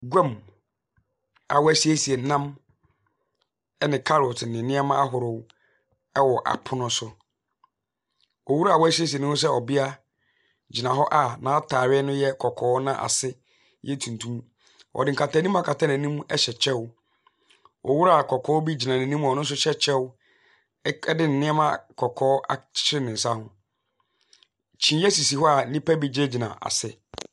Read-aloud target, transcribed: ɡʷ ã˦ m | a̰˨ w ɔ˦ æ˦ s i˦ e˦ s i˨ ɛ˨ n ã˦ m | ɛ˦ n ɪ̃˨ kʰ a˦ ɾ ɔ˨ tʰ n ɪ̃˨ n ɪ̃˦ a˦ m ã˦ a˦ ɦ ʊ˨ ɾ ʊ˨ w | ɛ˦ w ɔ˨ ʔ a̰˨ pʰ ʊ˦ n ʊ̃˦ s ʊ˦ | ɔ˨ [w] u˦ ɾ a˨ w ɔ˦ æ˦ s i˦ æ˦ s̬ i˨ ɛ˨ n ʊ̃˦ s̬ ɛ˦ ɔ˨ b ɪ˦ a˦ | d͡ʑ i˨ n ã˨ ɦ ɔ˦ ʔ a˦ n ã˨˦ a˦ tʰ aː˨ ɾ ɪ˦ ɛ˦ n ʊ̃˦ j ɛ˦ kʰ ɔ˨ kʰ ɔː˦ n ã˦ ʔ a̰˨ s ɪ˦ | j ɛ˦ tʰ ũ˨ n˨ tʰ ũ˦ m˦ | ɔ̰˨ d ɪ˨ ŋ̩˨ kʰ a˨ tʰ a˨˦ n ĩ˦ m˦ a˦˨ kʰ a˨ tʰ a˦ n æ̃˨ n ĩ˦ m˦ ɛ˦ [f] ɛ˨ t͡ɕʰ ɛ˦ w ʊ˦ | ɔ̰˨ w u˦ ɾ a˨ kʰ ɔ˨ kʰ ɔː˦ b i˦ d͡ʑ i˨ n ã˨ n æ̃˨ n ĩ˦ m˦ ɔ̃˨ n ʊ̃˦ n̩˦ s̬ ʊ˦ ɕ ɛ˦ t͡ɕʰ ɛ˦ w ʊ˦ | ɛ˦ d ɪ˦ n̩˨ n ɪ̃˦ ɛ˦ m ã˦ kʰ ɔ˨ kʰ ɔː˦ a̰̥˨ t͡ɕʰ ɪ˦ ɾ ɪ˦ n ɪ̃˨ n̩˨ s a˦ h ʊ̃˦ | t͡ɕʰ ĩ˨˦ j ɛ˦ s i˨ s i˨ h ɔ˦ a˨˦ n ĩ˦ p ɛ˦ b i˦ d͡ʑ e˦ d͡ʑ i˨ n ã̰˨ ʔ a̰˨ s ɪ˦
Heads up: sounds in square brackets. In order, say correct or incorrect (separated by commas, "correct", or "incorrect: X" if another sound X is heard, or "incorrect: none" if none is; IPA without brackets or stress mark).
correct, incorrect: ɕ